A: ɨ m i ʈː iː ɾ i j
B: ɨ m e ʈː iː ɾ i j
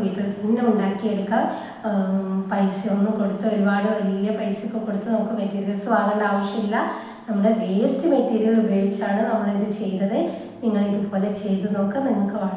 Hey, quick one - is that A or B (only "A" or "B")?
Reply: B